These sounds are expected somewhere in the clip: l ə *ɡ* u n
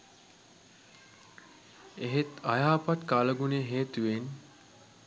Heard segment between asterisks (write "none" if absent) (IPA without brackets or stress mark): ɡ